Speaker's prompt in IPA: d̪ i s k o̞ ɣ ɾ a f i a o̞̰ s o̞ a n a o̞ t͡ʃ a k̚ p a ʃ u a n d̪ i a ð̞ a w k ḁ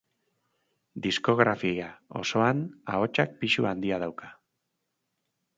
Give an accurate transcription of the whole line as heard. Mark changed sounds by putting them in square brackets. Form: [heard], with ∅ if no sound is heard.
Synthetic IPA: d̪ i s k o̞ ɣ ɾ a f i a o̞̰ s o̞ a n a o̞ t͡ʃ a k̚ p [i] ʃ u a n d̪ i a ð̞ a w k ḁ